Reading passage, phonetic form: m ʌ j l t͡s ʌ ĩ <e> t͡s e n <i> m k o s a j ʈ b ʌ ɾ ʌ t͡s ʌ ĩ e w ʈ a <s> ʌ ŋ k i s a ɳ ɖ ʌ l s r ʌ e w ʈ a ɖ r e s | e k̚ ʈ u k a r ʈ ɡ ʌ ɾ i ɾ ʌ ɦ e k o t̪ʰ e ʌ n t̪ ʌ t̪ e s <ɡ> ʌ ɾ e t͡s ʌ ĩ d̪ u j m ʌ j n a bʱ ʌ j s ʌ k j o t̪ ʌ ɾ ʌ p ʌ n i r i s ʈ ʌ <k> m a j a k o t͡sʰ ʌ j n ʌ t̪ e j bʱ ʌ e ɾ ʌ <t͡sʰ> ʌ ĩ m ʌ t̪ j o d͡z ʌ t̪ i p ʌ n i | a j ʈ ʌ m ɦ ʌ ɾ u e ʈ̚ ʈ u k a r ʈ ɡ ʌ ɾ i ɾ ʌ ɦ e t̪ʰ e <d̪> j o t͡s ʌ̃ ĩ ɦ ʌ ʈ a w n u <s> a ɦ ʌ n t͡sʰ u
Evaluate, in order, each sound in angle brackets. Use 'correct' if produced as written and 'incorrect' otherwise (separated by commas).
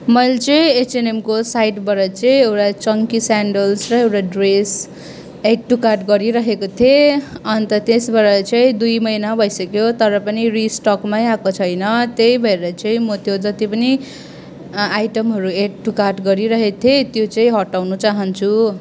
correct, incorrect, incorrect, incorrect, correct, incorrect, incorrect, incorrect